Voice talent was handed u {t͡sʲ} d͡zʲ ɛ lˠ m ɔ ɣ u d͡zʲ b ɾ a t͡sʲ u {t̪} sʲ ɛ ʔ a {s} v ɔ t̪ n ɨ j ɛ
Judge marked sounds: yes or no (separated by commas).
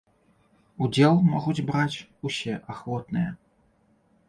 no, no, no